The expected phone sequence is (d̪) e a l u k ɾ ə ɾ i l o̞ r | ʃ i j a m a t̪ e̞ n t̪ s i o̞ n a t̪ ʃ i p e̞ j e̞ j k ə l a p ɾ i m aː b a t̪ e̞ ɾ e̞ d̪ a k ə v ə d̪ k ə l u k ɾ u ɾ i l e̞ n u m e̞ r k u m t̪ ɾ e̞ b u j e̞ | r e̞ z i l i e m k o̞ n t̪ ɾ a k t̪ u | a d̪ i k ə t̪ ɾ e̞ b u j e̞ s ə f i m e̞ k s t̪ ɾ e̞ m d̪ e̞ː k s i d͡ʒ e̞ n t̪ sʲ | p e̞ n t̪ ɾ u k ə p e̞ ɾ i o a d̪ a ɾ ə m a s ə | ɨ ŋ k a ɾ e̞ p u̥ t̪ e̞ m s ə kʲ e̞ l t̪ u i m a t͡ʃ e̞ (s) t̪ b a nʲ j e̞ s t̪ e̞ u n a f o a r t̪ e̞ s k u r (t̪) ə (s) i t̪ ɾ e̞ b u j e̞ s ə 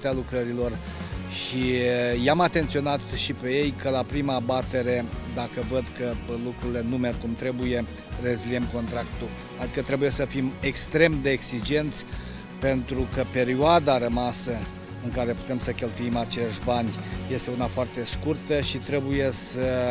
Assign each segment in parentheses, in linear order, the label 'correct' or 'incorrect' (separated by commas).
incorrect, incorrect, correct, incorrect